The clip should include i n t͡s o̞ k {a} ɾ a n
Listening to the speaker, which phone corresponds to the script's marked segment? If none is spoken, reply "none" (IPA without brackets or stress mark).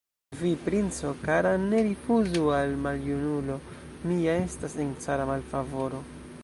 a